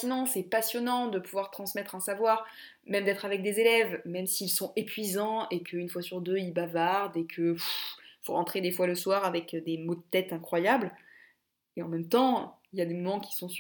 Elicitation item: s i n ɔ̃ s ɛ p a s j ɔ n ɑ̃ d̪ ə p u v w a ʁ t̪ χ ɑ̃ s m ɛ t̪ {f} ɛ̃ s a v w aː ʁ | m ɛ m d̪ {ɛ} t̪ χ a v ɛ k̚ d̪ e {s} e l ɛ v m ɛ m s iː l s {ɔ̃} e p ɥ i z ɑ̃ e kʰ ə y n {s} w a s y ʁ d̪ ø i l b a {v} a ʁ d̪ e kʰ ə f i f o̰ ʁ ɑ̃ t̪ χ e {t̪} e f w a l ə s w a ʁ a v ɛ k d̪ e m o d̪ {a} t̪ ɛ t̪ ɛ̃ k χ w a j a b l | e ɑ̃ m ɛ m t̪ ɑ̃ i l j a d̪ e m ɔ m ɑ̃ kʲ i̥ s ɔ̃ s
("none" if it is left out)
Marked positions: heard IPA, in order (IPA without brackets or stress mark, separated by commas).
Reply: χ, ɛ, z, ɔ̃, f, v, d̪, ə